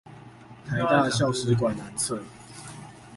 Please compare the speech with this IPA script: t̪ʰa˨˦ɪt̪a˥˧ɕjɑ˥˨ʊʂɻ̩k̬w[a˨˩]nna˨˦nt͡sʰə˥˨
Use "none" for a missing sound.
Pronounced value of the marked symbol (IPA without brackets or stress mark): a˨˩